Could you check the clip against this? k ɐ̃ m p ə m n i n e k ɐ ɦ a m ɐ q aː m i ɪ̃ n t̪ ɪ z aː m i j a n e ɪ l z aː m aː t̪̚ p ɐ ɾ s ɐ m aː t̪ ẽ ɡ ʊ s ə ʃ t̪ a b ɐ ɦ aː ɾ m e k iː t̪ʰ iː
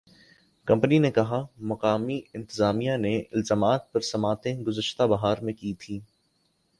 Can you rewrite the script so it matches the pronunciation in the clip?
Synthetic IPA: k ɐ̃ m p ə n i n e k ɐ ɦ a m ɐ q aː m i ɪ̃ n t̪ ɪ z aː m i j a n e ɪ l z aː m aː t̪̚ p ɐ ɾ s ɐ m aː t̪ ẽ ɡ ʊ z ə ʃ t̪ a b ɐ ɦ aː ɾ m ẽ k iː t̪ʰ iː